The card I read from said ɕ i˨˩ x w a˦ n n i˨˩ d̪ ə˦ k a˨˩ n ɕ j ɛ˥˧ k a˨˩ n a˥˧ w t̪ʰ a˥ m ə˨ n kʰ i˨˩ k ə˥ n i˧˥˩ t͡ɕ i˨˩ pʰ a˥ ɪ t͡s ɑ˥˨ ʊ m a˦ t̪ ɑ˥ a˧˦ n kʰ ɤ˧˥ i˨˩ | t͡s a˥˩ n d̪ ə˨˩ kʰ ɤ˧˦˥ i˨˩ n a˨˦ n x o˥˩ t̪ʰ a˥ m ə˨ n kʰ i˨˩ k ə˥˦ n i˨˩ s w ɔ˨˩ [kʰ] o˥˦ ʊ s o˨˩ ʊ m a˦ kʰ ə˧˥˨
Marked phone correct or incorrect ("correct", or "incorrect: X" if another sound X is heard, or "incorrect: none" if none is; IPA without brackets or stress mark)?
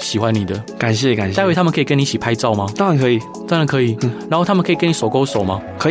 incorrect: k